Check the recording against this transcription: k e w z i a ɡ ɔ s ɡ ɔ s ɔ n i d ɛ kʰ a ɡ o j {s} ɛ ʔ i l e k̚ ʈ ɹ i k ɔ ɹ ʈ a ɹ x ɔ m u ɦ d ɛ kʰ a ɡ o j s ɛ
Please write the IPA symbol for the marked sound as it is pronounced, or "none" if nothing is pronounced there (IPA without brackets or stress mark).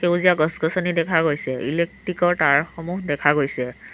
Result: s